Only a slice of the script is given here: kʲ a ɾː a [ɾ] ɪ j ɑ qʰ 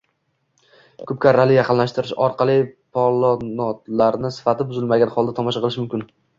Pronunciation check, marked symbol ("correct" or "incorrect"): incorrect